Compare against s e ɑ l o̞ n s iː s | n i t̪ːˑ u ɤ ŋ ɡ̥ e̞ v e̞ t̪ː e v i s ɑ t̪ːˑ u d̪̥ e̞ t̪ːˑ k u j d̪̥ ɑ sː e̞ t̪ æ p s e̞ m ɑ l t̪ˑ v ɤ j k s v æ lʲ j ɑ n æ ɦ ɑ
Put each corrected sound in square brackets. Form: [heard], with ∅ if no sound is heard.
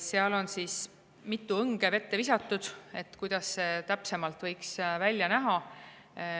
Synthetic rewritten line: s e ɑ l o̞ n s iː s | [m] i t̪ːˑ u ɤ ŋ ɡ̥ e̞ v e̞ t̪ː e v i s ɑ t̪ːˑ u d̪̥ e̞ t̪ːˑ k u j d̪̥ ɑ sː e̞ t̪ æ p s e̞ m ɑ l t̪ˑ v ɤ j k s v æ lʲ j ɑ n æ ɦ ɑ